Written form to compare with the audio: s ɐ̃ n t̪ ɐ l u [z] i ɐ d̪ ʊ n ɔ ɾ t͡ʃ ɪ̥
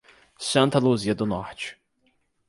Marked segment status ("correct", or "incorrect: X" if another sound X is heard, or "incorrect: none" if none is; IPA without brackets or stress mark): correct